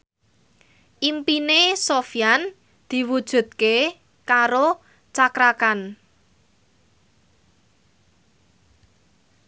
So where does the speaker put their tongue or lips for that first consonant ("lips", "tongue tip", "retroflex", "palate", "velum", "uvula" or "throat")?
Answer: throat